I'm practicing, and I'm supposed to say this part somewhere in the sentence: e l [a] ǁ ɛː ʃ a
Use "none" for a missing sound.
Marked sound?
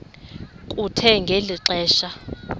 i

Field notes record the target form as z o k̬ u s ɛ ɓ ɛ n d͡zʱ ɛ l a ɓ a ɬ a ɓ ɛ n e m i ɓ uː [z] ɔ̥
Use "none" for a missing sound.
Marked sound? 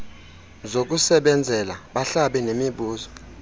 z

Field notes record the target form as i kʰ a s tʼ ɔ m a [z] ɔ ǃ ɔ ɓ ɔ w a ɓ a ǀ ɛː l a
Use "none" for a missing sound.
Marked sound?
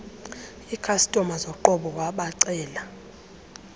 z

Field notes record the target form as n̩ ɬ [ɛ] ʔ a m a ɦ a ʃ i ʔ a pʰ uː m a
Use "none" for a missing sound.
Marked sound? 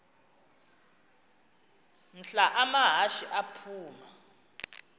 a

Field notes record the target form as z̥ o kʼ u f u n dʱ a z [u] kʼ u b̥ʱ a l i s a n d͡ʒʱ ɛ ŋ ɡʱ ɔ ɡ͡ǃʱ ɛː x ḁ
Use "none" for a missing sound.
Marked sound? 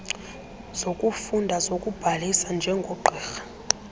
o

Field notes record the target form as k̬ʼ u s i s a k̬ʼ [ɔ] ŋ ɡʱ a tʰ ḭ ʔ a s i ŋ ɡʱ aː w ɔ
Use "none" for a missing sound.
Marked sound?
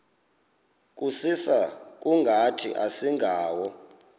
u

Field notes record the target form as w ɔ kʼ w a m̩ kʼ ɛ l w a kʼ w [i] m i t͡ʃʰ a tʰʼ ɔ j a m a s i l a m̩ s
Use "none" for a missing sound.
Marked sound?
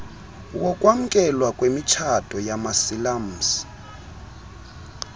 e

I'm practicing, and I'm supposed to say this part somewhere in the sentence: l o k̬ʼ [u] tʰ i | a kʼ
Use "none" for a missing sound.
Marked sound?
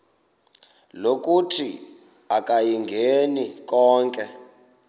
u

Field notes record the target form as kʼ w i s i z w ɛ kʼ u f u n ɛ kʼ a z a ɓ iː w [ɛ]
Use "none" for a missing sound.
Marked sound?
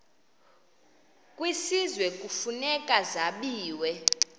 ɛ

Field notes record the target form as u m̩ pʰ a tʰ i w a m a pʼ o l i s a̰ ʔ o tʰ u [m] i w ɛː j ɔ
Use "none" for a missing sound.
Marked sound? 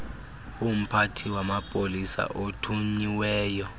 ɲ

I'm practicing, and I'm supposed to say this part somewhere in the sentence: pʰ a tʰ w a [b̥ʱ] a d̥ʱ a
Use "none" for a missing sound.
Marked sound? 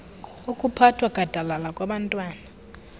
ɡ̥ʱ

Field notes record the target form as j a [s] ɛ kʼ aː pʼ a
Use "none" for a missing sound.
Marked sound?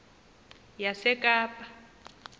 s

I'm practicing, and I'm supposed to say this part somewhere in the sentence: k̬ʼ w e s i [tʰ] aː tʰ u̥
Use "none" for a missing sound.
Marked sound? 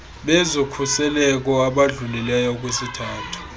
tʰ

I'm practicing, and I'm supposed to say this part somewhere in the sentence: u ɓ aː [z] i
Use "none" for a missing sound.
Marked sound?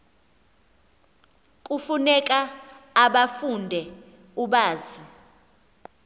z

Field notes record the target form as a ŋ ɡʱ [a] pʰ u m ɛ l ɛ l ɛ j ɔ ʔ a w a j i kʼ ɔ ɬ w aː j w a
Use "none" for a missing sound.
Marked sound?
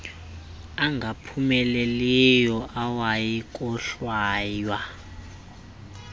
a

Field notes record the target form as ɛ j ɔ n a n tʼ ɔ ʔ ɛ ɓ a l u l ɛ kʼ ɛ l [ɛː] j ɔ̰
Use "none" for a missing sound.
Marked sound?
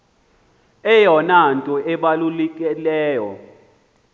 ɛː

